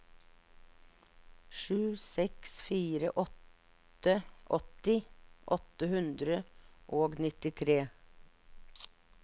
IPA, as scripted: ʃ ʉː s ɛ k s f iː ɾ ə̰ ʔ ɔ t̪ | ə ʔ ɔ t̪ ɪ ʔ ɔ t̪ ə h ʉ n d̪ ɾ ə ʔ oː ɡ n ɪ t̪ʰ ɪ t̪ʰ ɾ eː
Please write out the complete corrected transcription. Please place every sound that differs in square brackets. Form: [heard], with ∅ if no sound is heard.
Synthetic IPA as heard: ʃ ʉː s ɛ k s f iː ɾ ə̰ ʔ ɔ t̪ | ə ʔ ɔ t̪ ɪ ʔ ɔ t̪ ə h ʉ n d̪ ɾ ə ʔ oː ɡ n ɪ [t̪] ɪ t̪ʰ ɾ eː